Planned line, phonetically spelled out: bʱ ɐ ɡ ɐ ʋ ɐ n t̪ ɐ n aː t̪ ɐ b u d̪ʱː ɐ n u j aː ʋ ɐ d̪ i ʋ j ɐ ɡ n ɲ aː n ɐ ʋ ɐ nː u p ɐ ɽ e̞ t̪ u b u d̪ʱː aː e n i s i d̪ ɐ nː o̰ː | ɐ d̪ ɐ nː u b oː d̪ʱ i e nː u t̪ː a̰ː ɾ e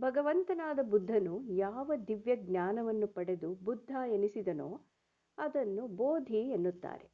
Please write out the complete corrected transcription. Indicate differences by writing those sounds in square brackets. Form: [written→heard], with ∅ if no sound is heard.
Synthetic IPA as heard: bʱ ɐ ɡ ɐ ʋ ɐ n t̪ ɐ n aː [t̪→d̪] ɐ b u d̪ʱː ɐ n u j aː ʋ ɐ d̪ i ʋ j ɐ ɡ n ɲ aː n ɐ ʋ ɐ nː u p ɐ ɽ e̞ [t̪→d̪] u b u d̪ʱː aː e n i s i d̪ ɐ [nː→n] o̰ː | ɐ d̪ ɐ nː u b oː d̪ʱ i e nː u t̪ː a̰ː ɾ e